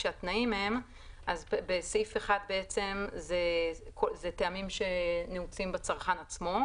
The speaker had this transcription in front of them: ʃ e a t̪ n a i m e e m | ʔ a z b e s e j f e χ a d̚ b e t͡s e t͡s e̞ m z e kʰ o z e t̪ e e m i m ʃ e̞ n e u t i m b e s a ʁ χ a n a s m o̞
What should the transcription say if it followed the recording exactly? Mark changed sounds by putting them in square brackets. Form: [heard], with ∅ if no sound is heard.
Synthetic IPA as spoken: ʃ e a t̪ n a i m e e m | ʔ a z b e s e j f e χ a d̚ b e [∅] e t͡s e̞ m z e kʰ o z e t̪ e [a] m i m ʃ e̞ n e u [t͡s] i m b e [t͡s] a ʁ χ a n a [t͡s] m o̞